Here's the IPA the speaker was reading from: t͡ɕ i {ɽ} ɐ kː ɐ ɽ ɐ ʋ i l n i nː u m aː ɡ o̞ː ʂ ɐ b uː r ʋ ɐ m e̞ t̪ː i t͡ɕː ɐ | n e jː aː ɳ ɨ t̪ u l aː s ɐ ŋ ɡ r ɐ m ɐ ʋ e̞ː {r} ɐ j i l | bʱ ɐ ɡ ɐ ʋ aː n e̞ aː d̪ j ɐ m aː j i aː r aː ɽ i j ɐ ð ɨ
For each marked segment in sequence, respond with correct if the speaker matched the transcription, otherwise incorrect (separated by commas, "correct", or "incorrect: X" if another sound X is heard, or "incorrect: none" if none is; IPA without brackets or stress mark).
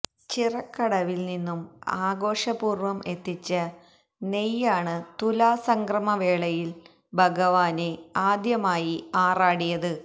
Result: incorrect: r, incorrect: ɭ